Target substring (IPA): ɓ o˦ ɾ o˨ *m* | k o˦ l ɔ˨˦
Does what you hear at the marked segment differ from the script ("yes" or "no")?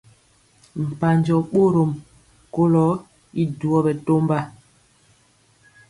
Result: no